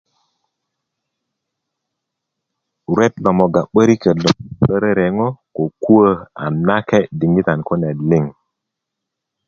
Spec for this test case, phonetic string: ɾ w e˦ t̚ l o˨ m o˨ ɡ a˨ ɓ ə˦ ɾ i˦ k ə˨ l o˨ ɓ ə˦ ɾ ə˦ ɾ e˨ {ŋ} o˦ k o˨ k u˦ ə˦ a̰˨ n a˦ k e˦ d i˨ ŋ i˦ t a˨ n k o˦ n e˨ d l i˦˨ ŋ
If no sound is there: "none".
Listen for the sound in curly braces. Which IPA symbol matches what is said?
ŋ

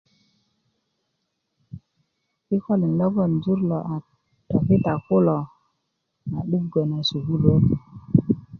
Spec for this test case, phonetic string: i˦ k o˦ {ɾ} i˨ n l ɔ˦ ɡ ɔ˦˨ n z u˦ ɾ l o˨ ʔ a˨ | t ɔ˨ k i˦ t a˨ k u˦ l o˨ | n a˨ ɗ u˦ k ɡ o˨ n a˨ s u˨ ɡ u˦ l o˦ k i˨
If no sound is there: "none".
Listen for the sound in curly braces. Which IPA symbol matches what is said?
l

